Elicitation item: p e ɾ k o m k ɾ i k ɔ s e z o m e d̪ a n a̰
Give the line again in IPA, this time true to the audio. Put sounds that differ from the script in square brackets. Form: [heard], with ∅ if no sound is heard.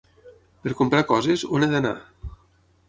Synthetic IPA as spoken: p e ɾ k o m [p] ɾ [a] k ɔ [z] e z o [n] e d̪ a n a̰